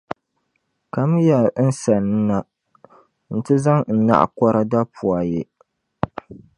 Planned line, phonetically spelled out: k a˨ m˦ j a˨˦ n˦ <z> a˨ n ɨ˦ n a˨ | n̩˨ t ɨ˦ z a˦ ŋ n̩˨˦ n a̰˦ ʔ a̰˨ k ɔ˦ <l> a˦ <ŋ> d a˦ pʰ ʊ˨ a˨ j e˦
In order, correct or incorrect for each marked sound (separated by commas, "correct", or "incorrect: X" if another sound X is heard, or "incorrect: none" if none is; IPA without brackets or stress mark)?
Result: incorrect: s, incorrect: ɾ, incorrect: none